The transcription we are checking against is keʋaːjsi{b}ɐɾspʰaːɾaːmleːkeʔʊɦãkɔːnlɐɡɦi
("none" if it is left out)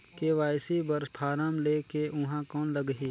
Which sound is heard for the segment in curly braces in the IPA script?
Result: b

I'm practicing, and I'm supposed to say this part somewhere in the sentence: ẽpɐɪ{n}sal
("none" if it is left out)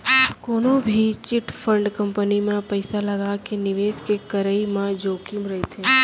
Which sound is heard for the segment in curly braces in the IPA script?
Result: none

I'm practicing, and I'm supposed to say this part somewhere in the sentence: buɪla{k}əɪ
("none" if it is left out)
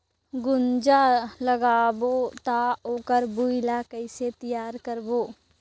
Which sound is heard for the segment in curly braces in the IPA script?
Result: k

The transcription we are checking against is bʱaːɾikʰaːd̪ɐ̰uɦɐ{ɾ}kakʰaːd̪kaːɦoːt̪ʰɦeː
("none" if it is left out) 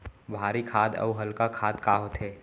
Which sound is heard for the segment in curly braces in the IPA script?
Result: l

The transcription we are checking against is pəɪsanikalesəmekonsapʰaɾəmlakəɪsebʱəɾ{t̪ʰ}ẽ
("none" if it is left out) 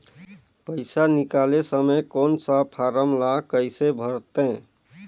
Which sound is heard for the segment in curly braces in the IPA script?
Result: t̪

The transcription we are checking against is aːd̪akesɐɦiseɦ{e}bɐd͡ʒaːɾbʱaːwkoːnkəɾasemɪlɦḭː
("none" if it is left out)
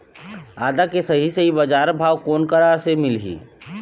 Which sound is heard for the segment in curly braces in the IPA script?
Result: i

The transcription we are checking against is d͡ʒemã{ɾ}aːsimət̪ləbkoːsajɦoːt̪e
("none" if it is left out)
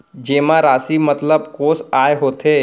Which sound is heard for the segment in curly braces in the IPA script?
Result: ɾ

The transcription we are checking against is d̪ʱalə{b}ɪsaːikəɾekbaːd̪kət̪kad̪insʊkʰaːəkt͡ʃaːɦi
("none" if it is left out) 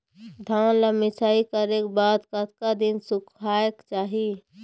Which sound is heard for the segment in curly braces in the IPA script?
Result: m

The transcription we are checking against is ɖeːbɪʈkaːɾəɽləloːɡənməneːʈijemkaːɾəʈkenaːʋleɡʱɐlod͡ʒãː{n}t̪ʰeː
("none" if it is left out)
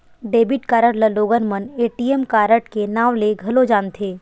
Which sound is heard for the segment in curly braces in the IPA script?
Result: n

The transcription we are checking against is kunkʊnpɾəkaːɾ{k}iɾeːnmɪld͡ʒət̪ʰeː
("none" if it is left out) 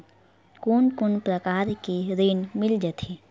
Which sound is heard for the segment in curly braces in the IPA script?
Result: k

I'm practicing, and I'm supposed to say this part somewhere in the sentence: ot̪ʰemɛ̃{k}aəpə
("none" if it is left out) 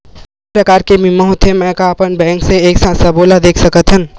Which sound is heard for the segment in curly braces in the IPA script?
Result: k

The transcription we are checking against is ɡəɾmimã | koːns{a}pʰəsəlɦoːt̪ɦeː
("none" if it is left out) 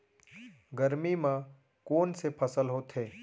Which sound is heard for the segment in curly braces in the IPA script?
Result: e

